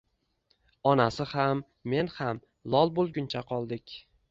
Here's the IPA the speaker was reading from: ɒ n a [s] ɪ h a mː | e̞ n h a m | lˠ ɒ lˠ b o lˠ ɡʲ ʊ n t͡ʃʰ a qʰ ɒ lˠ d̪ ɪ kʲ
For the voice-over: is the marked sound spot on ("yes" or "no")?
yes